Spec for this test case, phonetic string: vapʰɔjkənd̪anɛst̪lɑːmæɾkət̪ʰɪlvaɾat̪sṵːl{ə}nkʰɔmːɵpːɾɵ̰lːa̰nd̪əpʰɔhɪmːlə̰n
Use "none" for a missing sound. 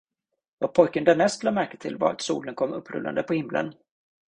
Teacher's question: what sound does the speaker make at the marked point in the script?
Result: ə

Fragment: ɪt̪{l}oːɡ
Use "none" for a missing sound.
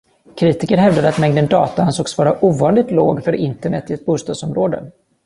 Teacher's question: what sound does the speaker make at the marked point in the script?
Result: l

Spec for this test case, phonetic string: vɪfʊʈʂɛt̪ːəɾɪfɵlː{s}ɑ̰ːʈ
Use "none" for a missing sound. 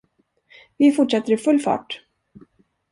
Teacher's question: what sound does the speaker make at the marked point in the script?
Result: f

